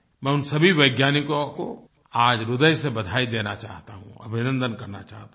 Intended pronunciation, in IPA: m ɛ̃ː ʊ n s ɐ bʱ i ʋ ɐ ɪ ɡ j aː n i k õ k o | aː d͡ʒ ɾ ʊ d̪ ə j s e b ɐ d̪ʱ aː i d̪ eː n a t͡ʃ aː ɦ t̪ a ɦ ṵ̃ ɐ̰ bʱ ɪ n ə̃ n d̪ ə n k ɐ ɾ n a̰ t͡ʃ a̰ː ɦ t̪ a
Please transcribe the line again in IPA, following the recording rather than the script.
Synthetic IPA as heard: m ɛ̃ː ʊ n s ɐ bʱ i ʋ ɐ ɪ ɡ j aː n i k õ k o | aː d͡ʒ ɾ ʊ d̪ ə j s e b ɐ d̪ʱ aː i d̪ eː n a t͡ʃ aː ɦ t̪ a ɦ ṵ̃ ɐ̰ bʱ ɪ n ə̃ n d̪ ə n k ɐ ɾ n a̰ t͡ʃ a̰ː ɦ t̪ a